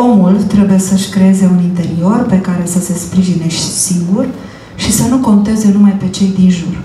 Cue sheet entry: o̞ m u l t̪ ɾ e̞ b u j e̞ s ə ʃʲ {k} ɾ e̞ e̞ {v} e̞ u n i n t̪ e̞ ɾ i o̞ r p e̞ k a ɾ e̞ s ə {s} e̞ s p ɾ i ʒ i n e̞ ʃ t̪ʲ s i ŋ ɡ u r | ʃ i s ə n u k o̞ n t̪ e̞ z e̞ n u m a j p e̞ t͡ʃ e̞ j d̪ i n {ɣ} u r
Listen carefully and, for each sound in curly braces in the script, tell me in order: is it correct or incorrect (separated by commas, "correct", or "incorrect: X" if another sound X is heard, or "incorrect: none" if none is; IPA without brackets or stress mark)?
correct, incorrect: z, correct, incorrect: ʒ